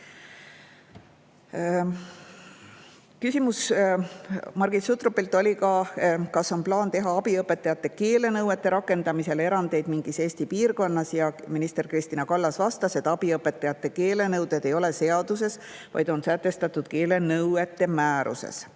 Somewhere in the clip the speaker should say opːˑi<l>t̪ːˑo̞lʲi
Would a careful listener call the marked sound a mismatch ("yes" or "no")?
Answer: no